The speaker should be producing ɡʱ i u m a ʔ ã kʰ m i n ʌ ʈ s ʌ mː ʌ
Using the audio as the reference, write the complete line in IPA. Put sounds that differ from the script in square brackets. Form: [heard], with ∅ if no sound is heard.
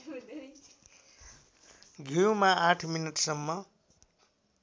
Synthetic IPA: ɡʱ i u m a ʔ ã [ʈʰ] m i n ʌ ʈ s ʌ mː ʌ